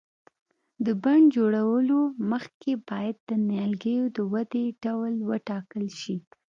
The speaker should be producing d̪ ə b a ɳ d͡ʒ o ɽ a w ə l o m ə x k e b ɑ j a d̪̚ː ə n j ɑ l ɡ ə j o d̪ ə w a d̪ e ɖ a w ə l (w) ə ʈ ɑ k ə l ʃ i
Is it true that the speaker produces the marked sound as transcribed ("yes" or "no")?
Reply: yes